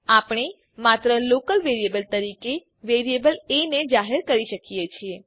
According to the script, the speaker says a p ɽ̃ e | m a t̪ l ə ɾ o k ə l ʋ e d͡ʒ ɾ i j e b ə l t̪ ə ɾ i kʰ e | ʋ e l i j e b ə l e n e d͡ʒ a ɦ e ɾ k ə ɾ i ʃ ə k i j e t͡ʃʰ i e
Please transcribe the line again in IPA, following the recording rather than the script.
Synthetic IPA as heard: a p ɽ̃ e | m a t̪ ɾ ə l o k ə l ʋ e ɾ i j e b ə l t̪ ə ɾ i k e | ʋ e ɾ i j e b ə l e n e d͡ʒ a ɦ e ɾ k ə ɾ i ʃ ə k i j e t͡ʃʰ i e